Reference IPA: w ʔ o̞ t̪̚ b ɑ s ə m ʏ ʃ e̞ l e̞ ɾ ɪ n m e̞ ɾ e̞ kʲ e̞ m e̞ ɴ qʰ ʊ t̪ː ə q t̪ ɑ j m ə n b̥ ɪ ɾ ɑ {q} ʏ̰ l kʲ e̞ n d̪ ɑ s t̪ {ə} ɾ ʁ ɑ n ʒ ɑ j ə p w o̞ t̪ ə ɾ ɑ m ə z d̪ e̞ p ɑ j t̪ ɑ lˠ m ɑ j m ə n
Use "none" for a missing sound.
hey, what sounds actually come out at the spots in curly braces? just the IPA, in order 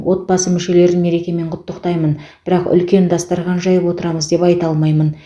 q, ɑ

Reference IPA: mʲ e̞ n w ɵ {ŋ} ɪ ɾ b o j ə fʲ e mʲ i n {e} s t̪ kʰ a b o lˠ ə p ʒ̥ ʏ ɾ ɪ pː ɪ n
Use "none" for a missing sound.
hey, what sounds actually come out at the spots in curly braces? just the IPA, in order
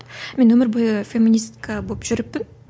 m, i

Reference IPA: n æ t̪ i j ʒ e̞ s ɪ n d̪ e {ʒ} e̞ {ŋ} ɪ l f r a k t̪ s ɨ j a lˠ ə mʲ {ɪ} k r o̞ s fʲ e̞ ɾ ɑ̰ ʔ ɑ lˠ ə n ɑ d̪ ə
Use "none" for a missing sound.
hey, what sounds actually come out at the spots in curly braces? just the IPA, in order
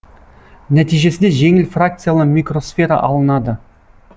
ʒ, ŋ, i

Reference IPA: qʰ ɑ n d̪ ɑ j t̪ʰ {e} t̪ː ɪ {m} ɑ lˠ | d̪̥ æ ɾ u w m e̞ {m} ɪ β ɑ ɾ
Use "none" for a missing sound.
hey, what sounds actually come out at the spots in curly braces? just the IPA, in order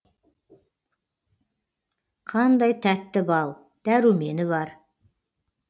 æ, b, n

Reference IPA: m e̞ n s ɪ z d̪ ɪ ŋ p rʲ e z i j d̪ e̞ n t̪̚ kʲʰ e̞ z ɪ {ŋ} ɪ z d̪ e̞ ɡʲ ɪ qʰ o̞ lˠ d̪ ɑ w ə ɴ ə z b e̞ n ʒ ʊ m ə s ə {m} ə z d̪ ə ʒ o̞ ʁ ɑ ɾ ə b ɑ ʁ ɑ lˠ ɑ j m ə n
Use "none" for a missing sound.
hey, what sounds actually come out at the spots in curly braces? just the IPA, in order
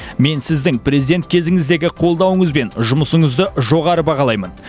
ŋ, ɴ

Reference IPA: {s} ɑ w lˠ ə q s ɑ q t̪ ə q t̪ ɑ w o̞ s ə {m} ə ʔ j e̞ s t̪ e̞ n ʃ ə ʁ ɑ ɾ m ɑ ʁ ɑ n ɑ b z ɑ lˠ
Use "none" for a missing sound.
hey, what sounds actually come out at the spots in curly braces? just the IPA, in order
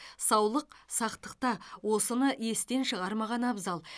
s, n

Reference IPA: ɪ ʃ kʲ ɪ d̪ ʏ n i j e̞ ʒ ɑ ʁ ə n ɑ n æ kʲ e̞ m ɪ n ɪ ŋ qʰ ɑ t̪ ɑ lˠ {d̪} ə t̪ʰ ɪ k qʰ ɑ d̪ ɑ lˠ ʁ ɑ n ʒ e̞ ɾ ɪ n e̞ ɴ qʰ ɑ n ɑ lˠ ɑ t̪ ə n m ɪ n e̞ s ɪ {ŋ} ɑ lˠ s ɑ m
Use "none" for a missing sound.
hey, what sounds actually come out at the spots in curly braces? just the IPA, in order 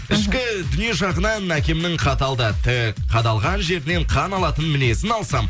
d̪, n

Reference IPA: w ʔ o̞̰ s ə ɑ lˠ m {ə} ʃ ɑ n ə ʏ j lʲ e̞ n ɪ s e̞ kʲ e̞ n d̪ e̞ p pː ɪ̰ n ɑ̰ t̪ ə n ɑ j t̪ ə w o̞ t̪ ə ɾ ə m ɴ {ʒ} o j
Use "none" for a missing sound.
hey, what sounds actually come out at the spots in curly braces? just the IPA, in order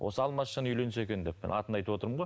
ɑ, ʁ

